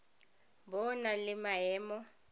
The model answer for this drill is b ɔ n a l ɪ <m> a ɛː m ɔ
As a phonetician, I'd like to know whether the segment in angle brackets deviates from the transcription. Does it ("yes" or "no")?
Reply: no